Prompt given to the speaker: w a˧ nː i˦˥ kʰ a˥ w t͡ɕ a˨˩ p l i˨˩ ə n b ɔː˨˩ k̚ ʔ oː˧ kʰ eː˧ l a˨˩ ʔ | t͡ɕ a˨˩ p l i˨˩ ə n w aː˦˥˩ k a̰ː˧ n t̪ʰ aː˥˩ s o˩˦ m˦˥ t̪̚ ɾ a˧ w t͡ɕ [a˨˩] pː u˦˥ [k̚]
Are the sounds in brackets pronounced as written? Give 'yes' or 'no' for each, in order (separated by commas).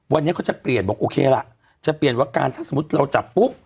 yes, no